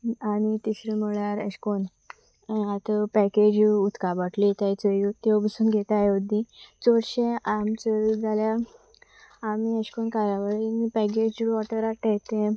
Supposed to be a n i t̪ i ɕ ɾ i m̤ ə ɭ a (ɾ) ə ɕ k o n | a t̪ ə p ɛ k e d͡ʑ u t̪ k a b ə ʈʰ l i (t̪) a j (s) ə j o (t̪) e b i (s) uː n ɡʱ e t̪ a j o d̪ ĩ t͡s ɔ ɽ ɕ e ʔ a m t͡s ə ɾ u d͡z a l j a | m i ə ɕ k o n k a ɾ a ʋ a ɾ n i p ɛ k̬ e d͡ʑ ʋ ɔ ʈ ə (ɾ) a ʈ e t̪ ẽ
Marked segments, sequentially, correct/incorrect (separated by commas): correct, correct, incorrect, correct, correct, correct